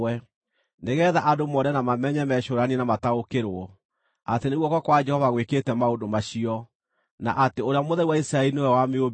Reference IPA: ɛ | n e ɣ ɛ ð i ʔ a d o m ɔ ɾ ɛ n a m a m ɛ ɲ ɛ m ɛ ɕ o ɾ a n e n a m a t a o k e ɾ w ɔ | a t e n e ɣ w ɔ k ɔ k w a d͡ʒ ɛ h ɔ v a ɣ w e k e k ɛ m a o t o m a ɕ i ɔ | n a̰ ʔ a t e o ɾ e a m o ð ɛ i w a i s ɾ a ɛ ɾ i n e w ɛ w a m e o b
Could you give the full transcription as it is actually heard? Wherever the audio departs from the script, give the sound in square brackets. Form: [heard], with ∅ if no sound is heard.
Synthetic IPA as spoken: ɛ | n e ɣ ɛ ð [a] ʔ a d o m ɔ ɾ ɛ n a m a m ɛ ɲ ɛ m ɛ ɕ o ɾ a n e n a m a t a o k e ɾ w ɔ | a t e n e ɣ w ɔ k ɔ k w a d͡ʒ ɛ h ɔ v a ɣ w e k e [t] ɛ m a o [d] o m a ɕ i ɔ | n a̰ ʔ a t e o ɾ e a m o ð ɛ i w a i s ɾ a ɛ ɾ i n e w ɛ w a m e o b